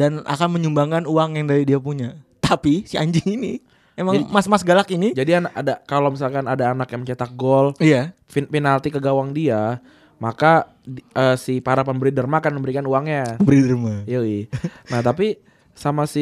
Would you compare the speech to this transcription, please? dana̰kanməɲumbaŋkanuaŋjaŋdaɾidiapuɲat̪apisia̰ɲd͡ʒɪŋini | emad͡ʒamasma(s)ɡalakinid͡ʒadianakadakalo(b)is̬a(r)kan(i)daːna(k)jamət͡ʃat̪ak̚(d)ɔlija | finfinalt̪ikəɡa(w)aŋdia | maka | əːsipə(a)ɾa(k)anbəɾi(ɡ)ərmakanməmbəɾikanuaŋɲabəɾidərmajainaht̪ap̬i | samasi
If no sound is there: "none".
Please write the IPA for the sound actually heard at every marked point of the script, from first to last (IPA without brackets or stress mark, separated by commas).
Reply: s, m, l, a, k, ɡ, w, a, p, d